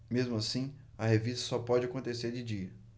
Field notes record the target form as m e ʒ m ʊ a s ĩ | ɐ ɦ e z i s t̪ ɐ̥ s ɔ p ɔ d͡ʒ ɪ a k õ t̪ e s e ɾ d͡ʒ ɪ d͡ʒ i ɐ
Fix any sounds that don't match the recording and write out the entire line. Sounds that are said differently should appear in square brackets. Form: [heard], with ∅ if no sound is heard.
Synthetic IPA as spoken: m e [z] m ʊ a s ĩ | ɐ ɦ e [v] i s t̪ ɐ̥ s ɔ p ɔ d͡ʒ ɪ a k õ t̪ e s e ɾ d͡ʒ ɪ d͡ʒ i ɐ